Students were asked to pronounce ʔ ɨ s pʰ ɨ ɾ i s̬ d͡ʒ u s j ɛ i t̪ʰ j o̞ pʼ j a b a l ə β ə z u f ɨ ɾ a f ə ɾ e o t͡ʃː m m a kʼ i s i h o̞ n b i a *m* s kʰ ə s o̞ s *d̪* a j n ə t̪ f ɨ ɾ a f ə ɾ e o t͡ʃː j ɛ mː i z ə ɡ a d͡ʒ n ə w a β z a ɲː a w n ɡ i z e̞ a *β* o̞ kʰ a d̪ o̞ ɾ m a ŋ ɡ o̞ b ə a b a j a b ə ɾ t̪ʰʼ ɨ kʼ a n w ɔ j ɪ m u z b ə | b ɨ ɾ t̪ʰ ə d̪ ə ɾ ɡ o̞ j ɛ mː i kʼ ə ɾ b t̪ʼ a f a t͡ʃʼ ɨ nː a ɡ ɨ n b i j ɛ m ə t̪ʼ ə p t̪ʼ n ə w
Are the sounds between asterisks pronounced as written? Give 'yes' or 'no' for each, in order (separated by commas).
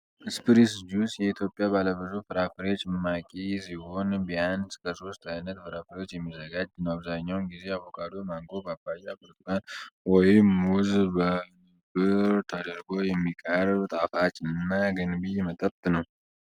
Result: no, no, yes